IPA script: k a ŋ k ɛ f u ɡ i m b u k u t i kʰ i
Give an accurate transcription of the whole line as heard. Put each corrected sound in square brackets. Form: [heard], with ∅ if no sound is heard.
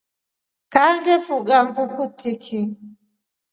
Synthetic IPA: k a ŋ [ɡ] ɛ f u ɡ [a] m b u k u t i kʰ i

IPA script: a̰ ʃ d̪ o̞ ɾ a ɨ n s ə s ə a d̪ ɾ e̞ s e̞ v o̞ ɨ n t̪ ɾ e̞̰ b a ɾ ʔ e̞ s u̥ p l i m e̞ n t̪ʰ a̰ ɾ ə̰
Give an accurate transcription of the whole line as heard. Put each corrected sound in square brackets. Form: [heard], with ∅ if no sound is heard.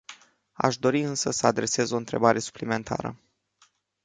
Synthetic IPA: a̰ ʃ d̪ o̞ ɾ [i] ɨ n s ə s ə a d̪ ɾ e̞ s e̞ [z] o̞ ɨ n t̪ ɾ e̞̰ b a ɾ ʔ e̞ s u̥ p l i m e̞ n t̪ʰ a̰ ɾ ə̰

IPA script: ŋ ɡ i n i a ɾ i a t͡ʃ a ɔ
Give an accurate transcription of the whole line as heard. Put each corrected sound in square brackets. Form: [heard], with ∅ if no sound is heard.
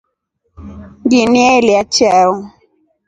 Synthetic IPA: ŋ ɡ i n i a [l] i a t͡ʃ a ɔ

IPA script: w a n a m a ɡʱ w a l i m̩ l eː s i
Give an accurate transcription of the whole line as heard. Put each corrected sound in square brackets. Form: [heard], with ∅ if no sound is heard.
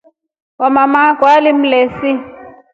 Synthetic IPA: w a [m] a m a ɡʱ w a l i m̩ l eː s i

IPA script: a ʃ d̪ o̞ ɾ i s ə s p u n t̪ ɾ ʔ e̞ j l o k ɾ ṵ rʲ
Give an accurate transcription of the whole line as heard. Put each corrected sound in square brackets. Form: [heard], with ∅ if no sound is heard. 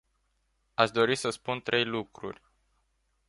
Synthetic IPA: a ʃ d̪ o̞ ɾ i s ə s p u n t̪ ɾ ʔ e̞ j l [u] k ɾ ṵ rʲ

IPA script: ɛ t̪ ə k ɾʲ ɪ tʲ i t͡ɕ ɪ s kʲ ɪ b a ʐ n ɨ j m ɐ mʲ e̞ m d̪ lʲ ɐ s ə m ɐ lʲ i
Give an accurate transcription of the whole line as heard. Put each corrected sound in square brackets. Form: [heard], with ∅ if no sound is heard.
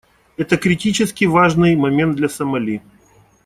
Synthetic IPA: ɛ t̪ ə k ɾʲ ɪ tʲ i t͡ɕ ɪ s kʲ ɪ [v] a ʐ n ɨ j m ɐ mʲ e̞ [n] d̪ lʲ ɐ s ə m ɐ lʲ i

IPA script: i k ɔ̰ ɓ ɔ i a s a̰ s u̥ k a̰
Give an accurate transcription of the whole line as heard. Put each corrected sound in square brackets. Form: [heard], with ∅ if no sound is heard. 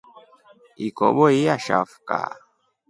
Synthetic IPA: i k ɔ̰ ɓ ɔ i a [ʃ] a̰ [f] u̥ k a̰

